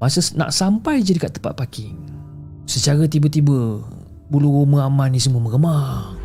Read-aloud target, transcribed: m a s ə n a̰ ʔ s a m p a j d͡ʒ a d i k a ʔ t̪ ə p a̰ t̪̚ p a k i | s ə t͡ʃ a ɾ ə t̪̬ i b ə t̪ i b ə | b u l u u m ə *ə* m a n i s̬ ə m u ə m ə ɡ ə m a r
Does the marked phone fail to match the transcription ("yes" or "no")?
yes